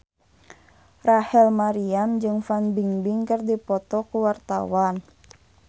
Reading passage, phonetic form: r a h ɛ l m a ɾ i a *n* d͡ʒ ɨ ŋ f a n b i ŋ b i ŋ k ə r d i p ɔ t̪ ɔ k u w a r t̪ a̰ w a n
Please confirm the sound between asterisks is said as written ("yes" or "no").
no